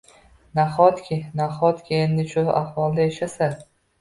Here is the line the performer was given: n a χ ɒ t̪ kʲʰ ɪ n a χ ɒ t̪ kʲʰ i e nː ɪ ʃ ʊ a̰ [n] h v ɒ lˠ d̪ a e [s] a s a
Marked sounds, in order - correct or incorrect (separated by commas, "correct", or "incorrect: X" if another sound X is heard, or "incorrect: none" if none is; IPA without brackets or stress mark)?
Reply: incorrect: none, incorrect: ʃ